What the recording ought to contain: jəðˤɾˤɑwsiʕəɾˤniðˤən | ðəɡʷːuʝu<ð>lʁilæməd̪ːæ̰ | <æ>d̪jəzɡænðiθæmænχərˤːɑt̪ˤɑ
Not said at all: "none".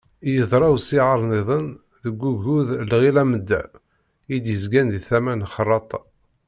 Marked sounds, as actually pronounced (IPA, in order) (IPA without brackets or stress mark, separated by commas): ð, i